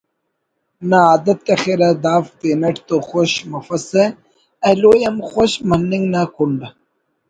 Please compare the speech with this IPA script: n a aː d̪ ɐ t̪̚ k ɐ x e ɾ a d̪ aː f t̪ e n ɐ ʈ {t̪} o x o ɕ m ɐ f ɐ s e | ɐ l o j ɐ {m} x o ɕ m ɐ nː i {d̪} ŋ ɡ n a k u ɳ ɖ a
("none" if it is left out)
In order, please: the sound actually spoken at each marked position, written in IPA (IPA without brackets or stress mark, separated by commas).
t̪, m, none